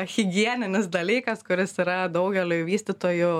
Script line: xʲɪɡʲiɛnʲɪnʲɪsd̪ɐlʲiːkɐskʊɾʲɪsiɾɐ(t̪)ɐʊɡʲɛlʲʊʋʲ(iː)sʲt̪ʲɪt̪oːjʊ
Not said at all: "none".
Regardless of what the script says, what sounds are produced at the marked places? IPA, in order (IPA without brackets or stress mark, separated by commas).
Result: d̪, iː